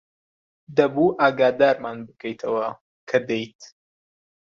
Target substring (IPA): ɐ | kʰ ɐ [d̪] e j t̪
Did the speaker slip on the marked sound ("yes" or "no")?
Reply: no